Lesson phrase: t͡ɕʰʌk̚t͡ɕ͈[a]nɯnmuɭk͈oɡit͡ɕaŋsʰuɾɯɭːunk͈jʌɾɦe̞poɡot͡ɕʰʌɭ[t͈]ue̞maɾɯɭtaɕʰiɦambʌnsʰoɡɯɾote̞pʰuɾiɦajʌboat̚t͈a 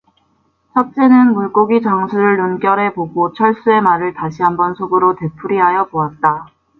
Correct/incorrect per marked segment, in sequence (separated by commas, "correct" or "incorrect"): incorrect, incorrect